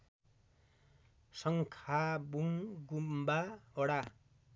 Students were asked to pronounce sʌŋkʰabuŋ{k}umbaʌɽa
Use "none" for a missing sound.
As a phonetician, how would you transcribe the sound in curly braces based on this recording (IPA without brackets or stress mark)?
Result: ɡ